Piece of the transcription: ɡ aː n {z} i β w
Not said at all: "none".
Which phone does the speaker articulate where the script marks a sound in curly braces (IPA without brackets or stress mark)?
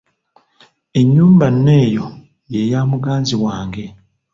z